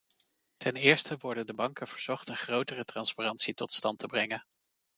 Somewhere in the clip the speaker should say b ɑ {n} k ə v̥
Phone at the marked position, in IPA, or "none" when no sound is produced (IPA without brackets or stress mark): ŋ